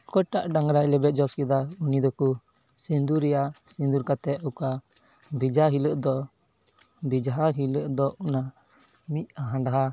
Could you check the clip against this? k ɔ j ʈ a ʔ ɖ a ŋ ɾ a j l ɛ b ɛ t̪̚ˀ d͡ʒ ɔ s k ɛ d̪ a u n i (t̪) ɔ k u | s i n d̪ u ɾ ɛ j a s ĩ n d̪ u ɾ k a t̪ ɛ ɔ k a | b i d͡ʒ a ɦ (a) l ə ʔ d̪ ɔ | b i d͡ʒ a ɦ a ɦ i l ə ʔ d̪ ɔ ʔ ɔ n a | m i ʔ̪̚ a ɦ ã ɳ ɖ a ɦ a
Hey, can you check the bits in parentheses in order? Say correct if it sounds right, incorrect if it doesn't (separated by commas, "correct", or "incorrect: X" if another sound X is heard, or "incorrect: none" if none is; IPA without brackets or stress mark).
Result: incorrect: d̪, incorrect: i